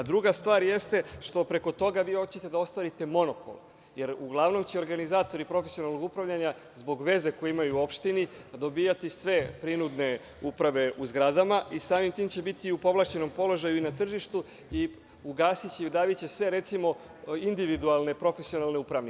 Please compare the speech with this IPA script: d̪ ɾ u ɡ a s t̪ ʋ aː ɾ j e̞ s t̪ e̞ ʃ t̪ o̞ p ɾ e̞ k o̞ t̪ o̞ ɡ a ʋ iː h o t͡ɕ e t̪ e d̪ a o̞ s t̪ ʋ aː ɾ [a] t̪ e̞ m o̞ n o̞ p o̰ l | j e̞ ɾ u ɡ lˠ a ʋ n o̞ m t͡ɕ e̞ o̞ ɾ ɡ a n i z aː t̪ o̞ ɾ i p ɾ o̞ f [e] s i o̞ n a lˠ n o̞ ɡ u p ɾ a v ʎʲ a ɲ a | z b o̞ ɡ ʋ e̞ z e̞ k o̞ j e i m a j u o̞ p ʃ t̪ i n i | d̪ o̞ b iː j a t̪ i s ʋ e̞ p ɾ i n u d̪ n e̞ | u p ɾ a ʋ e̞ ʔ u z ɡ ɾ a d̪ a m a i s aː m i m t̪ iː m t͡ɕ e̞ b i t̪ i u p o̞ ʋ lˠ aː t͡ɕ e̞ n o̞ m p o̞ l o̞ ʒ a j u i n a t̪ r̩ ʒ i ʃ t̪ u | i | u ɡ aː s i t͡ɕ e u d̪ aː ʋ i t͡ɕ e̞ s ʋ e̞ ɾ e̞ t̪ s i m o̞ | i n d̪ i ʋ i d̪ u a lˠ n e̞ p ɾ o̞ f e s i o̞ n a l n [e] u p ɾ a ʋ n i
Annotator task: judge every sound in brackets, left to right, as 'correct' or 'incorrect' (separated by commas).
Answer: incorrect, correct, correct